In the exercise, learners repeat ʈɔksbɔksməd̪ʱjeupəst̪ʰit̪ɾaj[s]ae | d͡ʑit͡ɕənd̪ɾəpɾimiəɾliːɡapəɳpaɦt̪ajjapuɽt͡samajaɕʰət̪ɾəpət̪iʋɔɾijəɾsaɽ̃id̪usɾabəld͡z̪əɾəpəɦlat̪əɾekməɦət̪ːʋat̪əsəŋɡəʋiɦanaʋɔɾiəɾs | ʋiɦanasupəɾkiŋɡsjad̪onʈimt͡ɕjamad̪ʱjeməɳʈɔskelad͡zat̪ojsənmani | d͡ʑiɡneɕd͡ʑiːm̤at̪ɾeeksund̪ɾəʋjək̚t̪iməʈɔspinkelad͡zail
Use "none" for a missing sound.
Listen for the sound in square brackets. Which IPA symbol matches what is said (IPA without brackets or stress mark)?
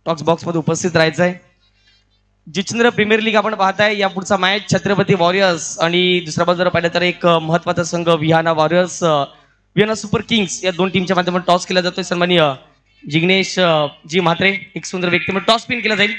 t͡s